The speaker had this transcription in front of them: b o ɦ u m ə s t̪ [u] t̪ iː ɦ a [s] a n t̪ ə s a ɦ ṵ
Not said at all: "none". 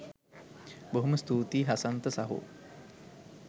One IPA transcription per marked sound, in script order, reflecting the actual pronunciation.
uː, s

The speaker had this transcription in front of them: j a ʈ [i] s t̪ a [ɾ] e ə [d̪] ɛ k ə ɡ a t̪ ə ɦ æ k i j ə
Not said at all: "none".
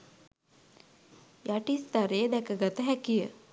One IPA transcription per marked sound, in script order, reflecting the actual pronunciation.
i, ɾ, d̪

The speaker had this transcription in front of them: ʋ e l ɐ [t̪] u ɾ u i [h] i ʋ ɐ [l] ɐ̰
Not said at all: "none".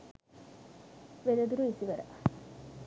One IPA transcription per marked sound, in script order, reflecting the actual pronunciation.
d̪, s, ɾ

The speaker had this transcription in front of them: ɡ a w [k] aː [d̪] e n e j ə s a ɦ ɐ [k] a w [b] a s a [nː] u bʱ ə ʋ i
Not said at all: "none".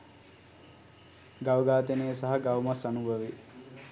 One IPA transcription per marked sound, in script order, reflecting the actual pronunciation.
ɡ, t̪, ɡ, m, n

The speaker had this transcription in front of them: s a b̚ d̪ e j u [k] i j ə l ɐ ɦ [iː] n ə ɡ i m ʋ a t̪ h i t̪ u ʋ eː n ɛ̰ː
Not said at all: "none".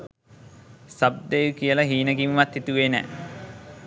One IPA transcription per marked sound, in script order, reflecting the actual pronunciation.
k, iː

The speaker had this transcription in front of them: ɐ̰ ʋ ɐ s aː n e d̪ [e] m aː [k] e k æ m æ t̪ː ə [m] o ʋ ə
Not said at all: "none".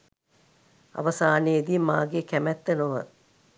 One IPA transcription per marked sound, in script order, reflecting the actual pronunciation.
i, ɡ, n

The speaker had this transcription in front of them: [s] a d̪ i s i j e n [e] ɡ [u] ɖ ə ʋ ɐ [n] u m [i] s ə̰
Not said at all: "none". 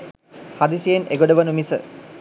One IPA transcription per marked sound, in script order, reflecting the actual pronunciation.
h, e, o, n, i

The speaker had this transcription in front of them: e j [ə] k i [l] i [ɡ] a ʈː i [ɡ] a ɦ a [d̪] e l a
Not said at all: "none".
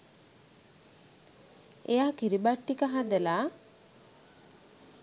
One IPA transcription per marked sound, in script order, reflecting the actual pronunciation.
a, ɾ, b, k, d̪

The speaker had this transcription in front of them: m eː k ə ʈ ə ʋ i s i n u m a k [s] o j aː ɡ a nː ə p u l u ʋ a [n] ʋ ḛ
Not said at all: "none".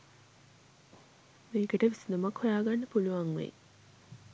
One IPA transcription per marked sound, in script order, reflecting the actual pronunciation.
h, ŋ

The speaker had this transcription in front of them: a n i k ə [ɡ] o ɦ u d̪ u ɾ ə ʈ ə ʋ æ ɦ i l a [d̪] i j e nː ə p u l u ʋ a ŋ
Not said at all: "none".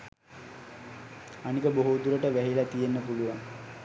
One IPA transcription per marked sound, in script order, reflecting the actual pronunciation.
b, t̪

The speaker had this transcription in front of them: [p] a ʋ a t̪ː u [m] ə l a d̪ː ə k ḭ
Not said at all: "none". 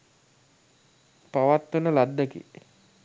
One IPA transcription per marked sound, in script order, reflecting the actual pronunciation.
p, n

